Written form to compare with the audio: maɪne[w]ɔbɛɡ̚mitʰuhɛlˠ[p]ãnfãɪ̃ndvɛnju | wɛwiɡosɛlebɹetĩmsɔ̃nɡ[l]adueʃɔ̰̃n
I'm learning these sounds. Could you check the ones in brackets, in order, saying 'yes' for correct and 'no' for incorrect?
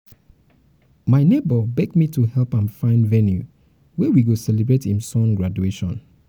no, yes, no

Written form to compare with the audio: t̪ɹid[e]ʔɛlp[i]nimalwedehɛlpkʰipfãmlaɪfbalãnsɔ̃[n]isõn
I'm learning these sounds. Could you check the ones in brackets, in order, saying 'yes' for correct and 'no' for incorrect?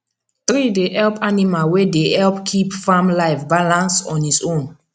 yes, no, yes

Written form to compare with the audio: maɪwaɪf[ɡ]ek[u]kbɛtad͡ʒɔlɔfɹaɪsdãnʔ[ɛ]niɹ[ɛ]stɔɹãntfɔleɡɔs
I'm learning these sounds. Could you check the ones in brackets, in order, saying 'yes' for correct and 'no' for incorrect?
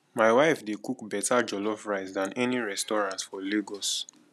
no, yes, yes, yes

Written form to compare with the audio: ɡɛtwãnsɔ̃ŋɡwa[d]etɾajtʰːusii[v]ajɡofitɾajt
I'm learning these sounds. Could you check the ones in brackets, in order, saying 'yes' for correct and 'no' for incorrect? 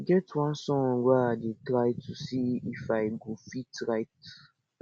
yes, no

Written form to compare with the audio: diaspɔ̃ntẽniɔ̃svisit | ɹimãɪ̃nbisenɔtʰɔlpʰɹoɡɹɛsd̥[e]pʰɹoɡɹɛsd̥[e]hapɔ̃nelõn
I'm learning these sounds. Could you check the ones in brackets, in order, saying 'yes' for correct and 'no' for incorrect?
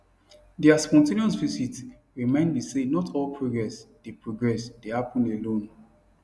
yes, yes

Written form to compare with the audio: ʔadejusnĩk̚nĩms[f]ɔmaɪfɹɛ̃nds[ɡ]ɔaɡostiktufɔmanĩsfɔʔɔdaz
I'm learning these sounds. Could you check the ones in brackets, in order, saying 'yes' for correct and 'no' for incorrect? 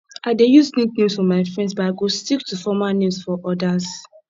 yes, no

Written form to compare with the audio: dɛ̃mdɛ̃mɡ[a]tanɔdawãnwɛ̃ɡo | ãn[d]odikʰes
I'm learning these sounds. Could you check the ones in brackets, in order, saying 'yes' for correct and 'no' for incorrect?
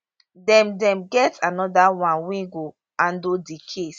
no, yes

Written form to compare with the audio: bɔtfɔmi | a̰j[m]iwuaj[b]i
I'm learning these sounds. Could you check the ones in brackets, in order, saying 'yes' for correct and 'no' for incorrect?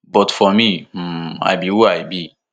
no, yes

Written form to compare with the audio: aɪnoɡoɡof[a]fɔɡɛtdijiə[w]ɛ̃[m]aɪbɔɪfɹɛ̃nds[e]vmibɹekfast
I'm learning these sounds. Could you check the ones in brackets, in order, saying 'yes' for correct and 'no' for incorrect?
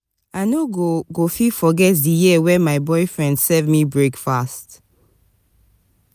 no, yes, yes, no

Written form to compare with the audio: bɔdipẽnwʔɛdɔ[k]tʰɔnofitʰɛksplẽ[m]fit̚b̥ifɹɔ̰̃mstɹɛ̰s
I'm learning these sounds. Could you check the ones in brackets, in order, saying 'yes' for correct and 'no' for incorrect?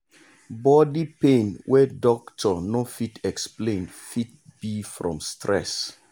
yes, no

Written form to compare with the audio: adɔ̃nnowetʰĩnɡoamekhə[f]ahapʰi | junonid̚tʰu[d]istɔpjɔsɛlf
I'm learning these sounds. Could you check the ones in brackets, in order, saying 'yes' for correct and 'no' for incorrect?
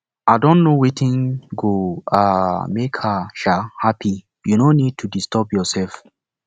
no, yes

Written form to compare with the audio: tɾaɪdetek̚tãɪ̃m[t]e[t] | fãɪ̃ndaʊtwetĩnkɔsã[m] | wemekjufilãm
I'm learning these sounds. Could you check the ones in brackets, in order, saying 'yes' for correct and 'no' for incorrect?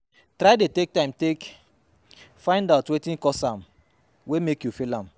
yes, no, yes

